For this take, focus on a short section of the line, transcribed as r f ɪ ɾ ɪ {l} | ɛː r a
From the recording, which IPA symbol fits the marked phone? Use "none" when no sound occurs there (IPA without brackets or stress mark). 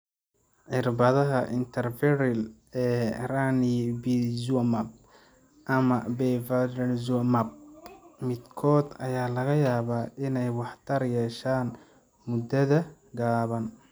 l